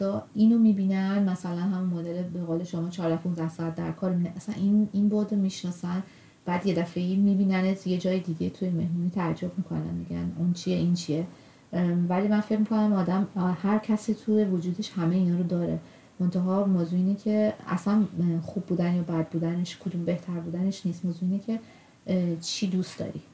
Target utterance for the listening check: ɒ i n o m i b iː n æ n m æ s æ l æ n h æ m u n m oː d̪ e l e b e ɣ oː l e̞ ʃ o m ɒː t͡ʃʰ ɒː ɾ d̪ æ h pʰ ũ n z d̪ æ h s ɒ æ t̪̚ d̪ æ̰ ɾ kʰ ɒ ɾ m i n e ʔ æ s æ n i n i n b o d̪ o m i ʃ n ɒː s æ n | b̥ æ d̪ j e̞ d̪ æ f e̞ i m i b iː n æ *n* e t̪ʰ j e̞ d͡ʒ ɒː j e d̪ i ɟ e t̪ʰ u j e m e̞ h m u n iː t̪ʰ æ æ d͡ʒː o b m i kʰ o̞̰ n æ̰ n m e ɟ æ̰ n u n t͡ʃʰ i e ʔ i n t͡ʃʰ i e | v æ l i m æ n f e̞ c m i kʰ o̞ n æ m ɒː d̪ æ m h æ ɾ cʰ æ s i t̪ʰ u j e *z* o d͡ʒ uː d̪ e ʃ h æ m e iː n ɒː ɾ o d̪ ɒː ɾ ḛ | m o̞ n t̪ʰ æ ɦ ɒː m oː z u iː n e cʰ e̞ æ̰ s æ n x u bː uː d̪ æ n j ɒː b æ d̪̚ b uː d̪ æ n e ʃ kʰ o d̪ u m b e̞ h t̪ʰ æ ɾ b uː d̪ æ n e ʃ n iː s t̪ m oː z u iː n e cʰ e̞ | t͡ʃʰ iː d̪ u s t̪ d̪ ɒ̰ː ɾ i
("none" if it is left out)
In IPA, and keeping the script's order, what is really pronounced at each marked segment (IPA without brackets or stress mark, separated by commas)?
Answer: n, v